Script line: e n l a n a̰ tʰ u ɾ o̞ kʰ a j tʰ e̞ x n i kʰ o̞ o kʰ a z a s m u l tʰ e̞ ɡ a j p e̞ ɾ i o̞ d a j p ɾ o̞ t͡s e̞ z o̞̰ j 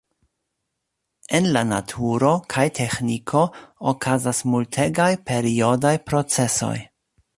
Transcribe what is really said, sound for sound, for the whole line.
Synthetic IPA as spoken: e n l a n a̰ tʰ u ɾ o̞ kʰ a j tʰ e̞ x n i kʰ o̞ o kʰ a z a s m u l tʰ e̞ ɡ a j p e̞ ɾ i o̞ d a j p ɾ o̞ t͡s e̞ s o̞̰ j